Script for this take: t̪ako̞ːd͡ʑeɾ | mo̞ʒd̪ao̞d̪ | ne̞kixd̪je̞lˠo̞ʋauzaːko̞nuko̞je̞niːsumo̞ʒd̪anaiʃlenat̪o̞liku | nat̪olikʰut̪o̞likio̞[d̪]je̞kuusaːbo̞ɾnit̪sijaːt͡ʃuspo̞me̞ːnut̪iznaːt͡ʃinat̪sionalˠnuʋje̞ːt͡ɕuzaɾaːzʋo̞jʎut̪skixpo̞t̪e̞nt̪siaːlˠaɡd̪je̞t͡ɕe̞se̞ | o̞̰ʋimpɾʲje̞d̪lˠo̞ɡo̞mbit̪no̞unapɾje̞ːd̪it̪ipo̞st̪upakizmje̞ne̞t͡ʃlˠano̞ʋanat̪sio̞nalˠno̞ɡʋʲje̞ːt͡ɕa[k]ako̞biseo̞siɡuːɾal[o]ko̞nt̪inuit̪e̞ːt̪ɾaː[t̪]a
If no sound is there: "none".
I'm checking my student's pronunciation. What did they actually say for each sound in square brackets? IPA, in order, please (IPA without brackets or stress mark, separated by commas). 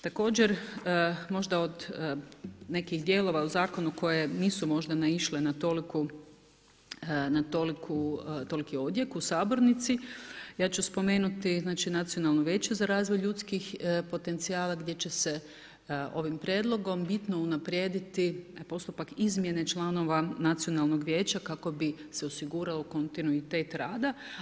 d̪, k, o, d̪